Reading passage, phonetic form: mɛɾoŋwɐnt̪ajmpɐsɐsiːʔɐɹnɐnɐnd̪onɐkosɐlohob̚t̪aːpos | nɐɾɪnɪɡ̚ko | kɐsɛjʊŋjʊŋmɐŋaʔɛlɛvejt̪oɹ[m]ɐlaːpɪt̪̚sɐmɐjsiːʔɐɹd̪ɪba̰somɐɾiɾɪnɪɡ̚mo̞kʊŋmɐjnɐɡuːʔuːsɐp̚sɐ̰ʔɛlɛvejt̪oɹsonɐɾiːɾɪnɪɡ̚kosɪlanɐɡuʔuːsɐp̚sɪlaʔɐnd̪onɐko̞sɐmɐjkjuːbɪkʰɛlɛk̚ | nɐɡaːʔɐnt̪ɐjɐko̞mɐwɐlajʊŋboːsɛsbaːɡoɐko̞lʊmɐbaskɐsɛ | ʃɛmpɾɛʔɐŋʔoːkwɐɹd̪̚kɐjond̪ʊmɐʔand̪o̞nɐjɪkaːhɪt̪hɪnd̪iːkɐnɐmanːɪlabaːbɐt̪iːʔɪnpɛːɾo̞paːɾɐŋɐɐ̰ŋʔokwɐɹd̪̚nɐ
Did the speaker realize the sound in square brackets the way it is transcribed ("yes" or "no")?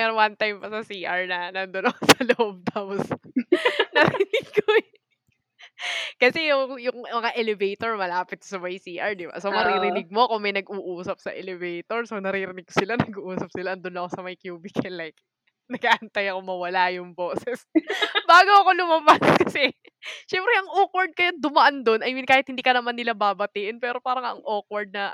yes